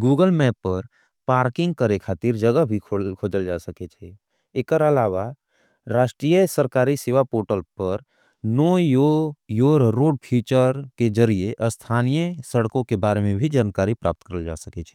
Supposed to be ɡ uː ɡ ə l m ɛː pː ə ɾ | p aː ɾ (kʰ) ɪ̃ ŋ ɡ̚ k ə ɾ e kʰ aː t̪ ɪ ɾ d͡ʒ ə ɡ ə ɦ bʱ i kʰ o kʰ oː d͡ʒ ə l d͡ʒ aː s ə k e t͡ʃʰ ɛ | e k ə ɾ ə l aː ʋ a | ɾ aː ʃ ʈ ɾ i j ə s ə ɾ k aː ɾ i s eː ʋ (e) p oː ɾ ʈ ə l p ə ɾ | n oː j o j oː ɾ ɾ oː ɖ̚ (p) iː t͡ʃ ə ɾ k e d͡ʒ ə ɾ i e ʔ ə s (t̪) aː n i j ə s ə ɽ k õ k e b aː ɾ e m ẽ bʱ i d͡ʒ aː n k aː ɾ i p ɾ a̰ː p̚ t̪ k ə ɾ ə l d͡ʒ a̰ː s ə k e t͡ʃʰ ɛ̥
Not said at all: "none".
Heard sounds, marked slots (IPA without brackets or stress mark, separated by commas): k, a, pʰ, t̪ʰ